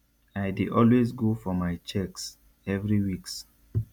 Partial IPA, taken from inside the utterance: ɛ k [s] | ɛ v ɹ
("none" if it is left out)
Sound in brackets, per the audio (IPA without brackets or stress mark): s